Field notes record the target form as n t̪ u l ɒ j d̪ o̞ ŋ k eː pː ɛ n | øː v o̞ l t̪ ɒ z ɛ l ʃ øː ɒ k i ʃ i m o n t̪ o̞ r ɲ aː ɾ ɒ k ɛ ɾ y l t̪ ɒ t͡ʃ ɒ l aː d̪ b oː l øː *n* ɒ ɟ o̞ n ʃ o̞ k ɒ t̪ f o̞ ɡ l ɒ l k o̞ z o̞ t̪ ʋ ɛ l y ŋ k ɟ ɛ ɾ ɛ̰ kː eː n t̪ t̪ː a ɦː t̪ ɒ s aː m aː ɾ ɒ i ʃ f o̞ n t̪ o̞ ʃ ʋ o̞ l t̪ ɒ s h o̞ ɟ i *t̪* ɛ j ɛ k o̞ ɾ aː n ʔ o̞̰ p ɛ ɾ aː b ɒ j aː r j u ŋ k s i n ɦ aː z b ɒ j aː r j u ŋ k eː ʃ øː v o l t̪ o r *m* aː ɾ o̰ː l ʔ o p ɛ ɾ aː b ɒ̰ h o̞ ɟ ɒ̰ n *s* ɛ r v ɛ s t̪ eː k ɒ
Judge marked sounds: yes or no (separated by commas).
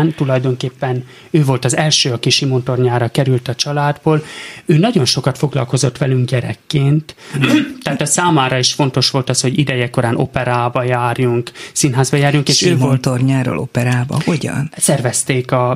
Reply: yes, no, no, yes